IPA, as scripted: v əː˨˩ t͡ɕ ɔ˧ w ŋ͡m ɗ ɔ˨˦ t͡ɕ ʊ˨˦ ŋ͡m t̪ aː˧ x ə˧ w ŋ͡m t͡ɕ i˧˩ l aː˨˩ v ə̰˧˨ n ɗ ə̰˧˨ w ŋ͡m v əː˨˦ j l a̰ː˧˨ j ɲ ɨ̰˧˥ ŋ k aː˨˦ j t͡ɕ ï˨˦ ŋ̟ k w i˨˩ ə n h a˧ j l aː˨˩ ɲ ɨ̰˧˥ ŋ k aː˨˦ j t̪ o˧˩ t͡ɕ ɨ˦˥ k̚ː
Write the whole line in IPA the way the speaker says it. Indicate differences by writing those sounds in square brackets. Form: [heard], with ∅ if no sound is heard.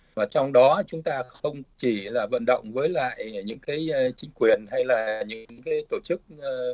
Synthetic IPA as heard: v [aː˨˩] t͡ɕ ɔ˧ w ŋ͡m ɗ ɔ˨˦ t͡ɕ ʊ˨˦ ŋ͡m t̪ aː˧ x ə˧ w ŋ͡m t͡ɕ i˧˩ l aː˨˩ v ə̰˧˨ n ɗ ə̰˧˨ w ŋ͡m v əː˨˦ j l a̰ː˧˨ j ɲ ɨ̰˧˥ ŋ k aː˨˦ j t͡ɕ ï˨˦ ŋ̟ k w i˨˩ ə n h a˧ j l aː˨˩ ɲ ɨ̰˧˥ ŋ k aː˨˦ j t̪ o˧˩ t͡ɕ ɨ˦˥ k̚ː